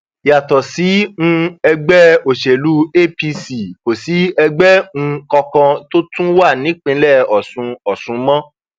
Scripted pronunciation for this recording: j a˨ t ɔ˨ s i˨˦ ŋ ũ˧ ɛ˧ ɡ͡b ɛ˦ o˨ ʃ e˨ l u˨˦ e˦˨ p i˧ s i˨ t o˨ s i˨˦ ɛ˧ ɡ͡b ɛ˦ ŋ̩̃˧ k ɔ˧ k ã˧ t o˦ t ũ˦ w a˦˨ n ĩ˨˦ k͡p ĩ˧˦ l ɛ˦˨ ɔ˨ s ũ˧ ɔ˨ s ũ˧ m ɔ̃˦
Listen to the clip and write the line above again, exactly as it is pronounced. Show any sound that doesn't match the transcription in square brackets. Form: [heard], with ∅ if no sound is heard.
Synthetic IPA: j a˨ t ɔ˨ s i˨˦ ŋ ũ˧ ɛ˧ ɡ͡b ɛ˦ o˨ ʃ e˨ l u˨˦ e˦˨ p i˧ s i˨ [k] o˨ s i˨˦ ɛ˧ ɡ͡b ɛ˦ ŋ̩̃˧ k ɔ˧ k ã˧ t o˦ t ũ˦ w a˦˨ n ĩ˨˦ k͡p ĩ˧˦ l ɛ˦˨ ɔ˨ s ũ˧ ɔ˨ s ũ˧ m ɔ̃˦